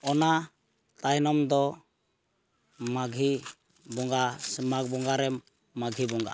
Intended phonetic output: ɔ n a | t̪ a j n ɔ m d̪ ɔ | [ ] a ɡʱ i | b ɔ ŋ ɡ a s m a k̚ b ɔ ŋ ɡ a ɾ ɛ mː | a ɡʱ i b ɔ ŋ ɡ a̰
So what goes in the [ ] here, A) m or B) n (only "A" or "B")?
A